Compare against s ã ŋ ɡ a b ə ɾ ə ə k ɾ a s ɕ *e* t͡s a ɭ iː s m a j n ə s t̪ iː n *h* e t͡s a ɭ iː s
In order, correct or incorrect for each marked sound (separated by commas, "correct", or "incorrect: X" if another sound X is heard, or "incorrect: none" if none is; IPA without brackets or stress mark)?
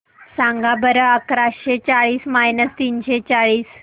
correct, incorrect: ɕ